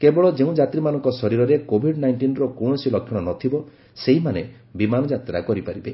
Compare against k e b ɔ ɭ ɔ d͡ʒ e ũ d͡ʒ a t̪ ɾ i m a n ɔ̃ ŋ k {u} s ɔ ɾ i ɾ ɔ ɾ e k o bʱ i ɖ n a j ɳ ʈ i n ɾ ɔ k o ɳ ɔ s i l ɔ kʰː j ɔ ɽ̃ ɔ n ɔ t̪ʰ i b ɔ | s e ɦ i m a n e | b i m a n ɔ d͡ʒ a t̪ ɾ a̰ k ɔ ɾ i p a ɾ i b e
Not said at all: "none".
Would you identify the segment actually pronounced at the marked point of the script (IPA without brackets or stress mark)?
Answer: ɔ